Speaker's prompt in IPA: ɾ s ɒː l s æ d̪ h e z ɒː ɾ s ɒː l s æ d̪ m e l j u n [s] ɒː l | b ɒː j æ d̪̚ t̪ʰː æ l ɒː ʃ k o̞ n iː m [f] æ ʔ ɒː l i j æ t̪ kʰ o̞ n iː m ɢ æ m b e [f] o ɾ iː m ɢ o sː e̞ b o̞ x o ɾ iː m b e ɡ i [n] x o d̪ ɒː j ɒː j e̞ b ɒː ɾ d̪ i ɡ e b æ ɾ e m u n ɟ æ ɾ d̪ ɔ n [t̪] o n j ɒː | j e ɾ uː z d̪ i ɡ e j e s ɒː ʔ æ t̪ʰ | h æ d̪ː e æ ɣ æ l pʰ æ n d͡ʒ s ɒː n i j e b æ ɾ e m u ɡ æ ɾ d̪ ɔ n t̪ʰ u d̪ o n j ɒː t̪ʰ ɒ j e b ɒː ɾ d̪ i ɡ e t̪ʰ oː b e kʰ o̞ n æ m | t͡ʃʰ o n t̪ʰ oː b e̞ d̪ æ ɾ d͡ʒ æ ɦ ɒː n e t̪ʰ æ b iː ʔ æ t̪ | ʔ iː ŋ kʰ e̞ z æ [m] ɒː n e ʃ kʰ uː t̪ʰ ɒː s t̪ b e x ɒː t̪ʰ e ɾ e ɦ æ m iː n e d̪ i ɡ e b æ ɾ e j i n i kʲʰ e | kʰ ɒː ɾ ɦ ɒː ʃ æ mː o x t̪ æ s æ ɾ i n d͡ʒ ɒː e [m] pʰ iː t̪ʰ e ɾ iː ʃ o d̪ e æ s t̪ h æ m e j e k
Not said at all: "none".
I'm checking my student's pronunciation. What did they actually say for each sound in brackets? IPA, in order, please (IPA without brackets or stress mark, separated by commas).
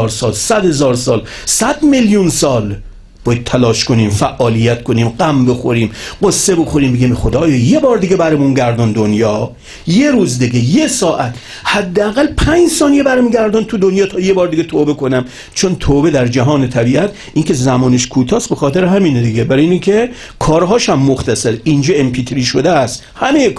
s, f, x, m, d̪, m, m